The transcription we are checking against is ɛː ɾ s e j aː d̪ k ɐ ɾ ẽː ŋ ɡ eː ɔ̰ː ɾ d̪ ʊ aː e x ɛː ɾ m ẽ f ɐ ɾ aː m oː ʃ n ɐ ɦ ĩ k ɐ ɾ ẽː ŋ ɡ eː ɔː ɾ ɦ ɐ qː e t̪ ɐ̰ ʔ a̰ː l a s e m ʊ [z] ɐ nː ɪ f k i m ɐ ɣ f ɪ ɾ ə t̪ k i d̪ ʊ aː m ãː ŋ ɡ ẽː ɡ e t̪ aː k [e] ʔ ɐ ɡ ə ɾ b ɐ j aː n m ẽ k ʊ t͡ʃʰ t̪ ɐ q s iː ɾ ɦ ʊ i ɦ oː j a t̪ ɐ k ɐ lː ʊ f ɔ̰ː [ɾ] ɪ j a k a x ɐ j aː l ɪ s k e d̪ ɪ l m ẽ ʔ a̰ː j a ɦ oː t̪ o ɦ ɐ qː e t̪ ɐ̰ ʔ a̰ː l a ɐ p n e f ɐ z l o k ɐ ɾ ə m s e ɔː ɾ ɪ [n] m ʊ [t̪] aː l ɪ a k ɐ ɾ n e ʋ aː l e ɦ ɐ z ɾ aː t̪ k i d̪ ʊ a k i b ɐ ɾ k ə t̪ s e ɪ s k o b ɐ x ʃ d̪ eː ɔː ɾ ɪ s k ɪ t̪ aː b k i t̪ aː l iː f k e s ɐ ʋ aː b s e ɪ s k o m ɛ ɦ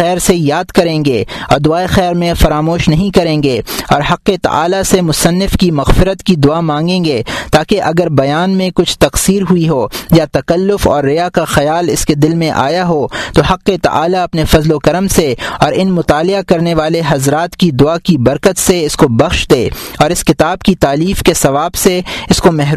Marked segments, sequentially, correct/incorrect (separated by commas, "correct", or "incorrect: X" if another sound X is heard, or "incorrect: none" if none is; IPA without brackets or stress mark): incorrect: s, correct, incorrect: ɾː, correct, correct